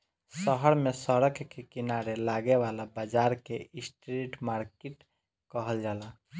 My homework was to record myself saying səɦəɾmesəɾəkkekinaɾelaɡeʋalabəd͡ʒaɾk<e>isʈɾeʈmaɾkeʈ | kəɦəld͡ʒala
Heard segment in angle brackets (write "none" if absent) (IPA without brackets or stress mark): e